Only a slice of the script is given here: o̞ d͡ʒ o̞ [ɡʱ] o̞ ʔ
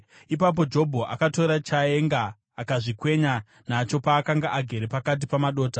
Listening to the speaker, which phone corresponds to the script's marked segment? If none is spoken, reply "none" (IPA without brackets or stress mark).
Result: bʱ